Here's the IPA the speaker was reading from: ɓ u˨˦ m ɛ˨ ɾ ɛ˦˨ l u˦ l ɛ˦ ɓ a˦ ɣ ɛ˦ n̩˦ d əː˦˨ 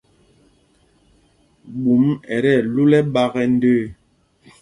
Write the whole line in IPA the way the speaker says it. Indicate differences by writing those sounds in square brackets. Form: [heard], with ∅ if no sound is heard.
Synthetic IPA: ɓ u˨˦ m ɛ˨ ɾ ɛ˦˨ l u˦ l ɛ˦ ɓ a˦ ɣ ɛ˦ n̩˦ d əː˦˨